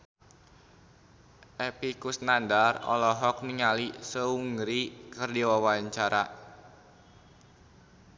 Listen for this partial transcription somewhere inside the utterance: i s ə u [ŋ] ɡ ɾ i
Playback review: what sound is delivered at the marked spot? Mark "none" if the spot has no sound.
ŋ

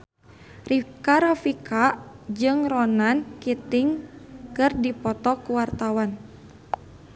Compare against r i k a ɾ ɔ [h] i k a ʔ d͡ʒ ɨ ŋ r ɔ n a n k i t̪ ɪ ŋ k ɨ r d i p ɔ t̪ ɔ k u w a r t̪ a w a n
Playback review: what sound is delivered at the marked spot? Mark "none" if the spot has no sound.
f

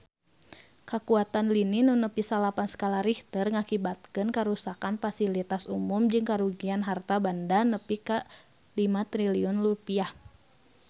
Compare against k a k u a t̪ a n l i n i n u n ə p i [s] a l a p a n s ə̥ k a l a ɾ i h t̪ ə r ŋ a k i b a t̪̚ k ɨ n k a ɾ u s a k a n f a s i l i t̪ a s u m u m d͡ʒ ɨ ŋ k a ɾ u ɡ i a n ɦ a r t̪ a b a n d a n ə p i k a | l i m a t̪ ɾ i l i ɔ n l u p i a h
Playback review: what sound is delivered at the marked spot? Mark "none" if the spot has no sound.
s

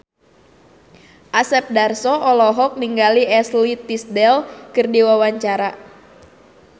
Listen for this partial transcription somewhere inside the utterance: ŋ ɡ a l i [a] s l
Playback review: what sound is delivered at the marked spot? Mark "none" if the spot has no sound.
ɛ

